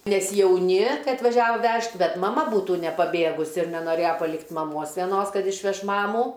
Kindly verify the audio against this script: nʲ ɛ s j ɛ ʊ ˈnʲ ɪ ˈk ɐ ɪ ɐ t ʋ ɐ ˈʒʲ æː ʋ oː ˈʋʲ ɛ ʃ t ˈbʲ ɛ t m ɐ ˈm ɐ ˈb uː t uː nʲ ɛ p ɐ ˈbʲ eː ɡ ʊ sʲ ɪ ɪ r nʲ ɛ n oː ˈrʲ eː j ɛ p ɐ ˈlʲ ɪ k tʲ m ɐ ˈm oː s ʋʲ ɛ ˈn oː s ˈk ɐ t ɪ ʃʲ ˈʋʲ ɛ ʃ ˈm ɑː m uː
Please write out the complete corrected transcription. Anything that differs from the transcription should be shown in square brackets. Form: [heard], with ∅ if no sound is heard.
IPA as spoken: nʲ ɛ s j ɛ ʊ ˈnʲ ɪ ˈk ɐ ɪ ɐ t ʋ ɐ ˈʒʲ æː ʋ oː ˈʋʲ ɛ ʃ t ˈbʲ ɛ t m ɐ ˈm ɐ ˈb uː t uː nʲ ɛ p ɐ ˈbʲ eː ɡ ʊ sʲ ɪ ɪ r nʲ ɛ n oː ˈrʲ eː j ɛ p ɐ ˈlʲ ɪ k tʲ m ɐ ˈm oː s ʋʲ ɛ ˈn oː s ˈk ɐ t ɪ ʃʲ ˈʋʲ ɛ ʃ ˈm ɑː m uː